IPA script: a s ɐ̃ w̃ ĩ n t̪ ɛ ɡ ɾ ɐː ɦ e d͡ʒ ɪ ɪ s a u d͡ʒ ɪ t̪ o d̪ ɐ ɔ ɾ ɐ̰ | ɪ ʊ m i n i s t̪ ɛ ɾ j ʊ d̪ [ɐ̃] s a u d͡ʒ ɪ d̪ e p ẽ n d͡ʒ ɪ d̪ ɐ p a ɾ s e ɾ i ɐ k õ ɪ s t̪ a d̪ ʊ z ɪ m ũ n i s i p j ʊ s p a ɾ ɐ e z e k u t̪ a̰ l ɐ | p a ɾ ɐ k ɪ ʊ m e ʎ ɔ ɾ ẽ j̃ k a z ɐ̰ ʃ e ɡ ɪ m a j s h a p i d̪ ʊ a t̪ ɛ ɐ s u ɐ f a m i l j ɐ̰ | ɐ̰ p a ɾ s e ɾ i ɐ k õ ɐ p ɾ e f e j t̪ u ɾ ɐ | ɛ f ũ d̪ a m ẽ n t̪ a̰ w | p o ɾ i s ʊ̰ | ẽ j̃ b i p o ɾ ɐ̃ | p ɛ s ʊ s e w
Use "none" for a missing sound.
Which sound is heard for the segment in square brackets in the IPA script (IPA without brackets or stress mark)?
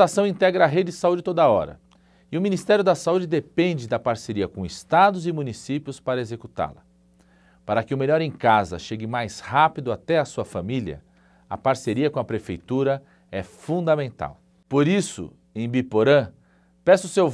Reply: ɐ